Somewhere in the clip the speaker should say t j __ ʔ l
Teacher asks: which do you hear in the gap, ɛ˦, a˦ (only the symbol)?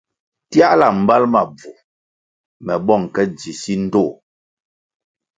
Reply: a˦